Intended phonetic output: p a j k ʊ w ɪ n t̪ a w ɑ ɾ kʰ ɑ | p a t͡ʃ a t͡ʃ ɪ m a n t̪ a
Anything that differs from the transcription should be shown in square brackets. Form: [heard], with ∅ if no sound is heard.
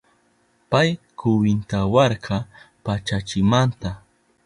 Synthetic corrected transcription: p a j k ʊ w ɪ n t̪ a w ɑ ɾ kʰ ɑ | p a t͡ʃ a t͡ʃ ɪ m a n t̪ a